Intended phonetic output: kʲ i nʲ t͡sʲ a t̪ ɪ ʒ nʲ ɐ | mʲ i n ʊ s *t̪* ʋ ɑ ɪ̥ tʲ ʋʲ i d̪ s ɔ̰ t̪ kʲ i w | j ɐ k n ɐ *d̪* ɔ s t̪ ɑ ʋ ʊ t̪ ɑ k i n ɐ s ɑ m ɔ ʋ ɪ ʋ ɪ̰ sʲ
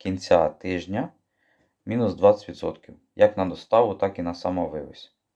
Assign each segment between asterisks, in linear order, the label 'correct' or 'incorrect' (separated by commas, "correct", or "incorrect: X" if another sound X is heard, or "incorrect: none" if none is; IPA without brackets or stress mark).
incorrect: d̪, correct